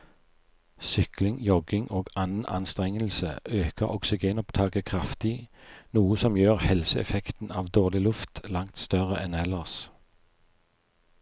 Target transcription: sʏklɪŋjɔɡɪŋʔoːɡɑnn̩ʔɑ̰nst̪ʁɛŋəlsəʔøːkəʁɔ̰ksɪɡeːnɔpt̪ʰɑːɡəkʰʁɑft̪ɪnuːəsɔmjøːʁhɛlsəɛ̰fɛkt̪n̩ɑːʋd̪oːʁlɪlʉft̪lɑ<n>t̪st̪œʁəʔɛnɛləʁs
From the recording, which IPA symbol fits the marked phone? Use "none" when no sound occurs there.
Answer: ŋ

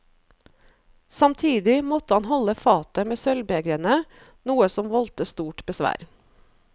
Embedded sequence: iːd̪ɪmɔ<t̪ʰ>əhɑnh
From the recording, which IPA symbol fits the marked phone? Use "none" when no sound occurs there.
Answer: t̪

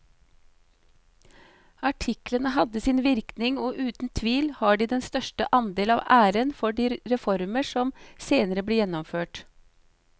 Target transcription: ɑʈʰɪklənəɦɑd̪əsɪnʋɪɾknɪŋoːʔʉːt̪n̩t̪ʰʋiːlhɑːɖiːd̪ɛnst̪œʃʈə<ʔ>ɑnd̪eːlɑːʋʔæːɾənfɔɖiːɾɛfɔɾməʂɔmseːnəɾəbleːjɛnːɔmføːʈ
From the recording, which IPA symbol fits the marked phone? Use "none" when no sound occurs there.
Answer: ʔ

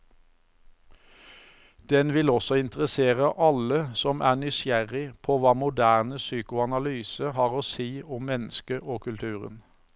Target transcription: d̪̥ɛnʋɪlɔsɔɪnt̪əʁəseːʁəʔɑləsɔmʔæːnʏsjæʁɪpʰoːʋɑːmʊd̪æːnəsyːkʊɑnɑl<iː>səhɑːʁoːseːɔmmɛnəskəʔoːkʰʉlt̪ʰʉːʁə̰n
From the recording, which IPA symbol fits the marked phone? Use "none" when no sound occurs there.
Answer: yː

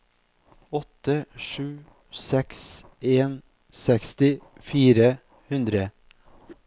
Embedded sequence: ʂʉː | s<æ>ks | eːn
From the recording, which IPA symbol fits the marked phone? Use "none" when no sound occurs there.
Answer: ɛ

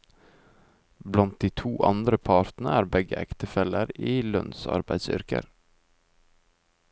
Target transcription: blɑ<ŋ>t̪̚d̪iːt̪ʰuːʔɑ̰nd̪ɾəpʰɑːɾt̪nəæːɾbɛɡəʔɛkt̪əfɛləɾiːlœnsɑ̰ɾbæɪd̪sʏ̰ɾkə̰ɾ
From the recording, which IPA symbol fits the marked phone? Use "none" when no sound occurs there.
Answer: n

